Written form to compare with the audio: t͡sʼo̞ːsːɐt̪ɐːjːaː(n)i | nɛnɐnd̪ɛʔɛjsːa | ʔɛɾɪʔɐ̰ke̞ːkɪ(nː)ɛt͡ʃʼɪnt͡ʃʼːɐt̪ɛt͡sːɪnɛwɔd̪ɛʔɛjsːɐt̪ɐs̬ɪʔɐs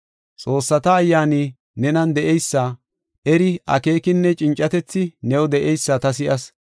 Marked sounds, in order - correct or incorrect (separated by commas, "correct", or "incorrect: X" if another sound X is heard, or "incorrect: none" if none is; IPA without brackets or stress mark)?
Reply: correct, correct